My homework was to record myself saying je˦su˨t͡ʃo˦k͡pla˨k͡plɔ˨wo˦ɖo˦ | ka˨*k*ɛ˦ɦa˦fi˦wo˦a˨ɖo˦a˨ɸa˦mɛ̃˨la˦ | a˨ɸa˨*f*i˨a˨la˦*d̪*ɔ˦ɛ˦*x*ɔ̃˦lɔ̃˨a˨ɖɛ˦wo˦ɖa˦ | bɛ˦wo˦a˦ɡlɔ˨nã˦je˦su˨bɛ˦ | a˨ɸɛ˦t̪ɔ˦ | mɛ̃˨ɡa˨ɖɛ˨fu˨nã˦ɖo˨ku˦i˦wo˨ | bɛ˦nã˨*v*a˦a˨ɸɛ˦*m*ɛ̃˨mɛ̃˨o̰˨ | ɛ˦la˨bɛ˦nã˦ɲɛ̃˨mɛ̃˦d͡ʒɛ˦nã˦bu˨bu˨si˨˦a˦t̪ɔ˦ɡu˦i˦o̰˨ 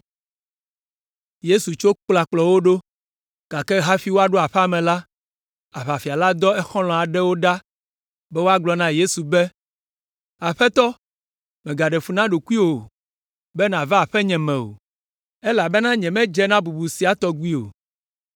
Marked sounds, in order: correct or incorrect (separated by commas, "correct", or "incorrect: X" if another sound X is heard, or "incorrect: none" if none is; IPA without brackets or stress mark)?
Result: correct, correct, correct, correct, correct, incorrect: ɲ